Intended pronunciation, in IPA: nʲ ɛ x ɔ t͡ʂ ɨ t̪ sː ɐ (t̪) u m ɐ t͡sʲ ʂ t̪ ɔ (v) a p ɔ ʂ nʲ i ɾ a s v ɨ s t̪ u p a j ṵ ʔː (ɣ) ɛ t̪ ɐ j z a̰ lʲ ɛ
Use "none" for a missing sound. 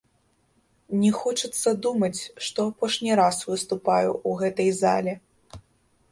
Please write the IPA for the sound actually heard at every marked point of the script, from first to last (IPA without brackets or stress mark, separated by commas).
d̪, none, ɣ